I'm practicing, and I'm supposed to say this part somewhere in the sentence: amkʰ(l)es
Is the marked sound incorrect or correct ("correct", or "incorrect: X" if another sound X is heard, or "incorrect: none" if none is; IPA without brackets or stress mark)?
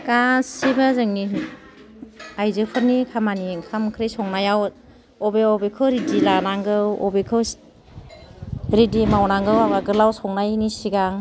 incorrect: ɾ